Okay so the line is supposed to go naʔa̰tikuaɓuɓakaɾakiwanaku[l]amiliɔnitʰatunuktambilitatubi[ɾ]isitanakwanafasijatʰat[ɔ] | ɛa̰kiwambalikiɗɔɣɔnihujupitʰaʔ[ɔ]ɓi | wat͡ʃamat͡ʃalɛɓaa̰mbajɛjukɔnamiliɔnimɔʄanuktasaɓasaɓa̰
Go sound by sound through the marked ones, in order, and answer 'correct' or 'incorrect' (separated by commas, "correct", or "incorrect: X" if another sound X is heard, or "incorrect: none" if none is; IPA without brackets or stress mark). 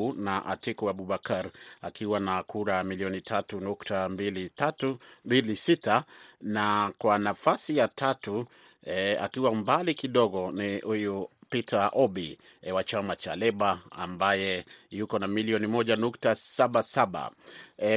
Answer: incorrect: ɾ, incorrect: l, incorrect: u, correct